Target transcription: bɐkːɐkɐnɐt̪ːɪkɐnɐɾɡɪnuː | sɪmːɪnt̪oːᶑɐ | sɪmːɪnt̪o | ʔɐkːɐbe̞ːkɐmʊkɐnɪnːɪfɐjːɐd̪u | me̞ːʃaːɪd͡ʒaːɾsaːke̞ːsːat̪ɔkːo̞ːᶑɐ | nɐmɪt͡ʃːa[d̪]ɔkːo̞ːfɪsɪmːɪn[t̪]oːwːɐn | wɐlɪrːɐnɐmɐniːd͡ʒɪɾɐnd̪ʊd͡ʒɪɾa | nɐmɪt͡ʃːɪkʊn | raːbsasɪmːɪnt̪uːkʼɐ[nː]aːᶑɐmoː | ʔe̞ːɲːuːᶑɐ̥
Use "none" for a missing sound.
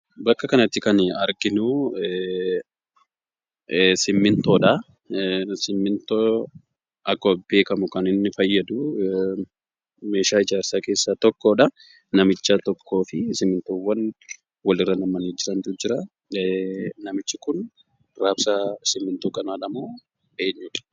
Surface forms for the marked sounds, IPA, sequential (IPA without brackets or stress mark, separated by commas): t̪, t̪, n